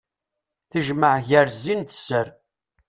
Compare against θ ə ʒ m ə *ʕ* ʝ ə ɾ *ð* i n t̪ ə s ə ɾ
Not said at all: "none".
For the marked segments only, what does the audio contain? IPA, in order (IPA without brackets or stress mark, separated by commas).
ʕ, z